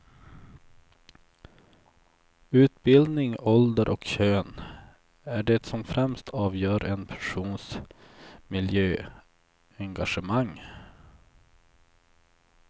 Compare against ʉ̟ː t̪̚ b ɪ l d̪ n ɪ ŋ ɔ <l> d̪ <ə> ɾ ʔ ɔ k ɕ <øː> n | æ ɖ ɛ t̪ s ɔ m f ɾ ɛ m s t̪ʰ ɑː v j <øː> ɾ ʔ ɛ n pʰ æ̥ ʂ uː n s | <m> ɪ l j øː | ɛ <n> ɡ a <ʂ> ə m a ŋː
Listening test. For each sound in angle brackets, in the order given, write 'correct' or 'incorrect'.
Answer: correct, correct, correct, incorrect, correct, incorrect, correct

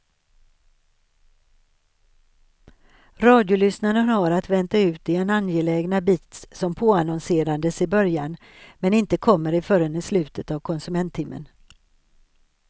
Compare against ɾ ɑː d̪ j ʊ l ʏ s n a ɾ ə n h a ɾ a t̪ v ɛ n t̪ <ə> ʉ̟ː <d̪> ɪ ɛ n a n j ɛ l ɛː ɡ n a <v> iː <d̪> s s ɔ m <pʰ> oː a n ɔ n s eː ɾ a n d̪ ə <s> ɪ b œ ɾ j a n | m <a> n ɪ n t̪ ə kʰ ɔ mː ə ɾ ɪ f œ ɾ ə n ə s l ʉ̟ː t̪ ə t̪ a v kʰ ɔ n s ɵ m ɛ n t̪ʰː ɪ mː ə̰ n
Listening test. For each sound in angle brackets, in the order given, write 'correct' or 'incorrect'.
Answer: incorrect, incorrect, incorrect, incorrect, correct, correct, incorrect

